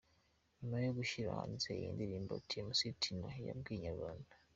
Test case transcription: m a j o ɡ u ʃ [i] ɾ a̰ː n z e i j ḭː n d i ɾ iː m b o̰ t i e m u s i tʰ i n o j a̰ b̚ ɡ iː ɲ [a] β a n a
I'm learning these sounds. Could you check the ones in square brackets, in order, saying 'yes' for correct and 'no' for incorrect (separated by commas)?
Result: yes, yes